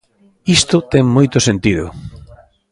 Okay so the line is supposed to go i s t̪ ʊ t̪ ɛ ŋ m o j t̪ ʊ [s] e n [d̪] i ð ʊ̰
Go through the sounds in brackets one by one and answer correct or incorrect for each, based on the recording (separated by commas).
correct, incorrect